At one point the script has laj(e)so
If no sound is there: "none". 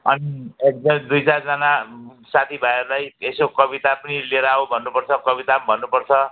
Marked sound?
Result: e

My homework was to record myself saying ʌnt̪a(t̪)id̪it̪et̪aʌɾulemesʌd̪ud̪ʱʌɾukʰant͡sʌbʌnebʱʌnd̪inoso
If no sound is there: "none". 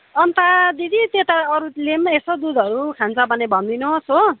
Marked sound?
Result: d̪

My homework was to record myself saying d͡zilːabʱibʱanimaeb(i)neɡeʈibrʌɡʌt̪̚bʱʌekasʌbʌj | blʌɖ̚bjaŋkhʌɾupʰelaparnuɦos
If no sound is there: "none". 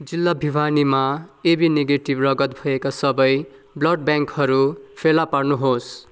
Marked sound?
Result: i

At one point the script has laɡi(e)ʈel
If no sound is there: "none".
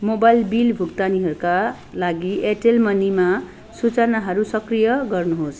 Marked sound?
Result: e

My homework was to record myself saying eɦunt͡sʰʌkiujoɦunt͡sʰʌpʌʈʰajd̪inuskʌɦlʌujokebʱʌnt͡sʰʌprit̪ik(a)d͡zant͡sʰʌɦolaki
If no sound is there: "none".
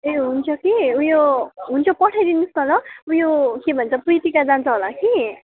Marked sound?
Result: a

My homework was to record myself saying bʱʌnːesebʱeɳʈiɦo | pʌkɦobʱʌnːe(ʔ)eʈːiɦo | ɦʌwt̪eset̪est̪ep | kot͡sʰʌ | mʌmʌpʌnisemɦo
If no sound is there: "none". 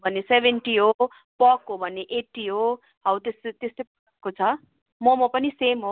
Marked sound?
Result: ʔ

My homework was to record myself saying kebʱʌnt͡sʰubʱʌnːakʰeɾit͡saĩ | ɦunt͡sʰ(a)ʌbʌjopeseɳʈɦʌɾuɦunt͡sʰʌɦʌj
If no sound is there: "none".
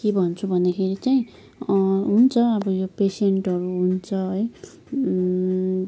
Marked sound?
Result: ʌ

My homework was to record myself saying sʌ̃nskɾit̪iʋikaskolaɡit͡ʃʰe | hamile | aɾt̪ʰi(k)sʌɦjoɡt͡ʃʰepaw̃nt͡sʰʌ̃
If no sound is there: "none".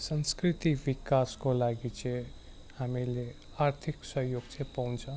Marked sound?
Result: k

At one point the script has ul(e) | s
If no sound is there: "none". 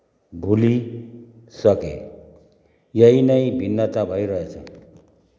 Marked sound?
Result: i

